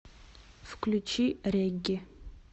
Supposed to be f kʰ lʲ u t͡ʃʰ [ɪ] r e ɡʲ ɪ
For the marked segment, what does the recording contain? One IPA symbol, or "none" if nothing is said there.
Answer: i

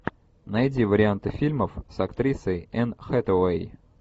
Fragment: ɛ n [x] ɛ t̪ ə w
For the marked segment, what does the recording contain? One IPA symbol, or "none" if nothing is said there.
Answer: x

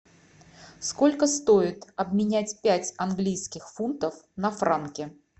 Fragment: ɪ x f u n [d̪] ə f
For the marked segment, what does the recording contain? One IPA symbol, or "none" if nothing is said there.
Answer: t̪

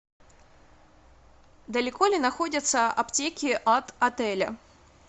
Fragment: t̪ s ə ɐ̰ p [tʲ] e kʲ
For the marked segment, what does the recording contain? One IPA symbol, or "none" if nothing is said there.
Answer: tʲ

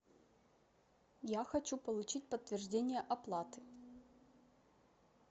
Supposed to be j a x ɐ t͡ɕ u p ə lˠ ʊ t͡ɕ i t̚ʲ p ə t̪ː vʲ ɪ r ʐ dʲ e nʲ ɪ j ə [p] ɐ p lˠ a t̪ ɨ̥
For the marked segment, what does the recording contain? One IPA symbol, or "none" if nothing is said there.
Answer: ʔ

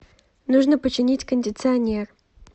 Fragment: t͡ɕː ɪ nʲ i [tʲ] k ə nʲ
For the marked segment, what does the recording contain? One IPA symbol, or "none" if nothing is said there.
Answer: tʲ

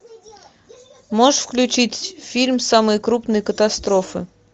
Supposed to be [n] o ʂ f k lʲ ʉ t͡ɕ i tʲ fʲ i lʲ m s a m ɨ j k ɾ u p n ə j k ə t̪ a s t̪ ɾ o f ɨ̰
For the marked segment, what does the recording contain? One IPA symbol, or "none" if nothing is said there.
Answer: m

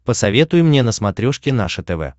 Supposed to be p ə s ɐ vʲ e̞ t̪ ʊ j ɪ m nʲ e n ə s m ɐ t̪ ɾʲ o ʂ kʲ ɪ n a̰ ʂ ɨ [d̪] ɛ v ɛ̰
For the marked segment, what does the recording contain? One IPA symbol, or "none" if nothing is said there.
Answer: t̪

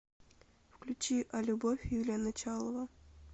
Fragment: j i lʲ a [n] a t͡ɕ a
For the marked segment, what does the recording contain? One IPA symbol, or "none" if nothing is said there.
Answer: n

